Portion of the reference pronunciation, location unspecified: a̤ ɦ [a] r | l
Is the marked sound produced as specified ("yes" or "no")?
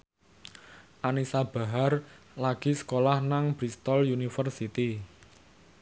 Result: yes